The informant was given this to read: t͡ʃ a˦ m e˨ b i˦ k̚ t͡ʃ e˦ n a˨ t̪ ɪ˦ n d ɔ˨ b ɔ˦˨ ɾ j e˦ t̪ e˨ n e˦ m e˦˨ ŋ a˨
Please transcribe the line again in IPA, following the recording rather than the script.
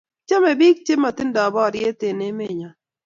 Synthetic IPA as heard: t͡ʃ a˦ m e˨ b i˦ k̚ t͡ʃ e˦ m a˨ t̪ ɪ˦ n d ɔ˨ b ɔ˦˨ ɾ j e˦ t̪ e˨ n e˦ m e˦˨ ɲ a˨